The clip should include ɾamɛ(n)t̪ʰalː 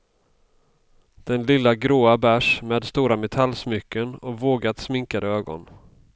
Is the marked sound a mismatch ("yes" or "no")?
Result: yes